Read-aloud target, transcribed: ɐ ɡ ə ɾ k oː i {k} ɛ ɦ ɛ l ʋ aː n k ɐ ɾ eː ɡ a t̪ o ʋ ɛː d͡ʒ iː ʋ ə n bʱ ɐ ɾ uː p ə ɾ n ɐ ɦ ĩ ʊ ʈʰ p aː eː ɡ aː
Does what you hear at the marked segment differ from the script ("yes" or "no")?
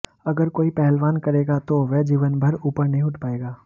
yes